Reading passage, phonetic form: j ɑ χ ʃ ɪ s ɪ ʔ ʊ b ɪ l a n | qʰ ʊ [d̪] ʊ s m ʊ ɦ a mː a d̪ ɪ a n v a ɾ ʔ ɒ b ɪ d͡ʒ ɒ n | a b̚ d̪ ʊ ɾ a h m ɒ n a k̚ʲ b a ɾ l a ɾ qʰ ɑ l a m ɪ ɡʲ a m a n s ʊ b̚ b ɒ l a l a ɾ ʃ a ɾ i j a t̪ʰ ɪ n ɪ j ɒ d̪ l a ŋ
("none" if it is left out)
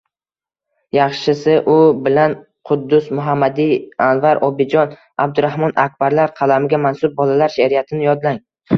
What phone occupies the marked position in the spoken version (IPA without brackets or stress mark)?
d̪ː